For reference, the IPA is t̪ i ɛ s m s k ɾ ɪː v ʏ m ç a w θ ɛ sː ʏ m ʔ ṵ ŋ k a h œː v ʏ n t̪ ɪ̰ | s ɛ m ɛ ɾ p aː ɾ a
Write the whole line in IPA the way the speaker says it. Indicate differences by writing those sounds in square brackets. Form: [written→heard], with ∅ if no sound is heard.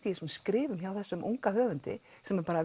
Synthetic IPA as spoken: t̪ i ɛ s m s k ɾ ɪː v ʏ m ç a w θ ɛ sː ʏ m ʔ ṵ ŋ k a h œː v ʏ n t̪ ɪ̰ | s ɛ m ɛ ɾ p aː ɾ a